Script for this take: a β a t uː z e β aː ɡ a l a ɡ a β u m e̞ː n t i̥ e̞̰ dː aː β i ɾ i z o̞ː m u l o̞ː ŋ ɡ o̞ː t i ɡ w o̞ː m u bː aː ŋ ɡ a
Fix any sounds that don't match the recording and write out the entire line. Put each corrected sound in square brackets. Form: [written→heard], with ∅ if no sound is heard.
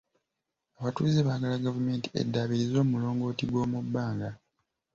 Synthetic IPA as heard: a β a t uː z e β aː ɡ a l a ɡ a [β→v] u m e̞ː n t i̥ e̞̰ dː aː β i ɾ i z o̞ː m u l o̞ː ŋ ɡ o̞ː t i ɡ w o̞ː m u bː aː ŋ ɡ a